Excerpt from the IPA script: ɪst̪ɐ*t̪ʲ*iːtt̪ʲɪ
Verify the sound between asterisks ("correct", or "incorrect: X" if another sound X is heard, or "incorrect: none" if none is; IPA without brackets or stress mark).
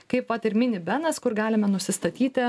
correct